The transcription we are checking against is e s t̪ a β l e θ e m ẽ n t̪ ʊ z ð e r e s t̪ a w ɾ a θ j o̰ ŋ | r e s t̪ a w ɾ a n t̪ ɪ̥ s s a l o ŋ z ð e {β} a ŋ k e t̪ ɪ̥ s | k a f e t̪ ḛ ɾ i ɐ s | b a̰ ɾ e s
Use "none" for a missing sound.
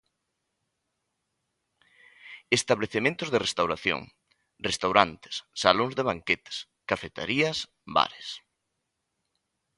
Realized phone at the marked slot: β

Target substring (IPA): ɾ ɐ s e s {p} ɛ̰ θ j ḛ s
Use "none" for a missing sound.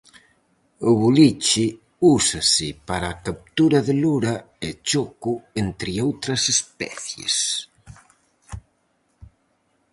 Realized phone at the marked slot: p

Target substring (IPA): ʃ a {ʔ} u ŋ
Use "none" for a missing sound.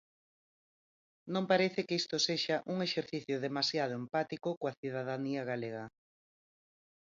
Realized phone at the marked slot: ʔ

